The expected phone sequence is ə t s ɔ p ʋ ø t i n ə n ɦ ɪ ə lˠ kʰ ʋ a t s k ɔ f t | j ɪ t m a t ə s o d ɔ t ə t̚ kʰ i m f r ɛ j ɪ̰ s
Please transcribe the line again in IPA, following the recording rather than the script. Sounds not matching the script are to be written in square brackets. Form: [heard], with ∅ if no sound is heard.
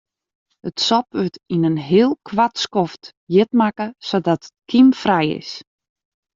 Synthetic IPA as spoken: ə t s ɔ p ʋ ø t i n ə n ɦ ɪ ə lˠ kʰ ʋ a t s k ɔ f t | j ɪ t m a [k] ə s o d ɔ t ə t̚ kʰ i m f r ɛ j ɪ̰ s